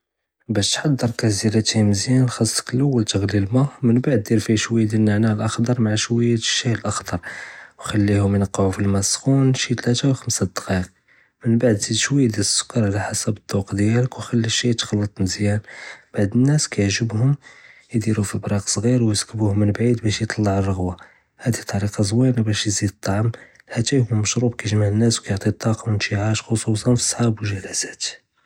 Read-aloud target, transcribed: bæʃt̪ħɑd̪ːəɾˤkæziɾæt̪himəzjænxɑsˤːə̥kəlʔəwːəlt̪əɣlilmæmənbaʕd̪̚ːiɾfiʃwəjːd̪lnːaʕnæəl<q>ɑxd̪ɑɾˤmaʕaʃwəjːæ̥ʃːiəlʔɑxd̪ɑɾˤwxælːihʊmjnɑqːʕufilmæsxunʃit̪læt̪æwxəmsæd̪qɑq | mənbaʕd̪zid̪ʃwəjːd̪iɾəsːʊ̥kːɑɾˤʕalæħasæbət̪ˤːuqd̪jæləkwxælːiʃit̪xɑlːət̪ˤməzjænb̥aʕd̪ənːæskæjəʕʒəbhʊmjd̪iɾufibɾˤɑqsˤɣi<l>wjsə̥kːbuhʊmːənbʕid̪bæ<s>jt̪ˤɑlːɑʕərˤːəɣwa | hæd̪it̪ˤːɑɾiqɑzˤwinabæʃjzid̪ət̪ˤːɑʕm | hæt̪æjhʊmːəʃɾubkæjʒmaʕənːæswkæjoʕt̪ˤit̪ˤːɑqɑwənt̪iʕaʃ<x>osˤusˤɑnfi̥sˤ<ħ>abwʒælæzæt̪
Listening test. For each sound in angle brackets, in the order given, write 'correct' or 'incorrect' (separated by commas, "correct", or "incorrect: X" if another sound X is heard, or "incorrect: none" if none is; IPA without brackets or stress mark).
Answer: incorrect: ʔ, incorrect: ɾ, incorrect: ʃ, correct, correct